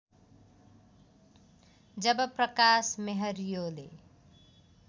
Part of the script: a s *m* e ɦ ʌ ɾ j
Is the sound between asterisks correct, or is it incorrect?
correct